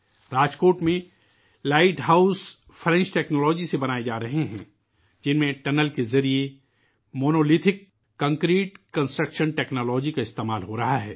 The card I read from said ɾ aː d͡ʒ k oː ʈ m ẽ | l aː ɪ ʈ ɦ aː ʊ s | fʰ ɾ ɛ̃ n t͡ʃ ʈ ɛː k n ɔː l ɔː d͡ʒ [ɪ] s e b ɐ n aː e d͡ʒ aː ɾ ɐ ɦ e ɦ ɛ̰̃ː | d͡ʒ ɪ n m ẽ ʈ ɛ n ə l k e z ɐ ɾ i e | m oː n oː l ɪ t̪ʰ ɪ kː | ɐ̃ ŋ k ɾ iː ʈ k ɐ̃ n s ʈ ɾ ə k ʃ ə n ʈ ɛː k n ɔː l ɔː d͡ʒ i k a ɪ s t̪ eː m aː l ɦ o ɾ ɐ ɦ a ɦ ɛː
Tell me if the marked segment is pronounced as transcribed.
no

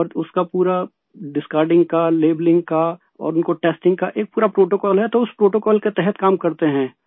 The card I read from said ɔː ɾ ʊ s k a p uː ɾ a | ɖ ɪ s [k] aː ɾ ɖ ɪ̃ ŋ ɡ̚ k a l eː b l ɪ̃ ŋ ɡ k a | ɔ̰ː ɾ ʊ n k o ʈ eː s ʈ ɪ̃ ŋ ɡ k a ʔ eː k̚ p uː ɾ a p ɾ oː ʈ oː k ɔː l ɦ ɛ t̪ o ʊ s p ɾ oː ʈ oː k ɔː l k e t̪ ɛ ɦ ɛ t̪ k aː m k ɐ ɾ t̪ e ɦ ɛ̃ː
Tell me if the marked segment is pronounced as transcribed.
yes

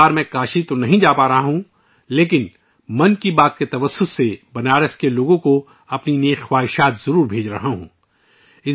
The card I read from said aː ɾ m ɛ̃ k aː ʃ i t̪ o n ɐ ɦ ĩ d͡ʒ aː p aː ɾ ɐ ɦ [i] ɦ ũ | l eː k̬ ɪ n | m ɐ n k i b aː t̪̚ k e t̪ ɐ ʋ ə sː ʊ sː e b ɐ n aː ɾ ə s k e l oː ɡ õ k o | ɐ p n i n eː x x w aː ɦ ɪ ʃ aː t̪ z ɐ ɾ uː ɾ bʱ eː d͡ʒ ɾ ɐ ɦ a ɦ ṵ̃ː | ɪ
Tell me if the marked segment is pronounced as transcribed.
no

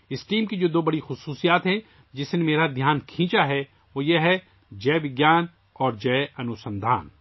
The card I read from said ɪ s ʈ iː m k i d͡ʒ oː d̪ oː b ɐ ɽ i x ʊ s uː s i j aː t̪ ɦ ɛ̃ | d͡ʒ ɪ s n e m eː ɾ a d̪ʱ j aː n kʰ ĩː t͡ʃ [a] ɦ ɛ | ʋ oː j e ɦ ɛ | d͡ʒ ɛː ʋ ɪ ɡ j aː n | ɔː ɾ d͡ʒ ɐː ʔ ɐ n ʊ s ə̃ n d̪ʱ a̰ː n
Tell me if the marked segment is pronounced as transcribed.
yes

